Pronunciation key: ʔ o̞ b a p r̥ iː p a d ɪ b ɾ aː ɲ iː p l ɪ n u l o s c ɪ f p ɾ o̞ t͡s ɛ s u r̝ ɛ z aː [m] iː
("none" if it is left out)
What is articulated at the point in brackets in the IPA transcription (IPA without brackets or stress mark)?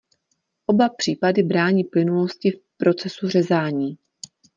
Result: ɲ